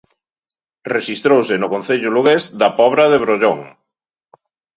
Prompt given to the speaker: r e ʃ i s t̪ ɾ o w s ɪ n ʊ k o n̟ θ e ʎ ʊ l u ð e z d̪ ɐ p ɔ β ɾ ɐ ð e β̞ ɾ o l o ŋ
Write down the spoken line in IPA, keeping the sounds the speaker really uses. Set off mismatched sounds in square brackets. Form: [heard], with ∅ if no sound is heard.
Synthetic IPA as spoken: r e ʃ i s t̪ ɾ o w s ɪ n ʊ k o n̟ θ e ʎ ʊ l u [ɣ] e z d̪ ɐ p ɔ β ɾ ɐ ð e β̞ ɾ o [ʎ] o ŋ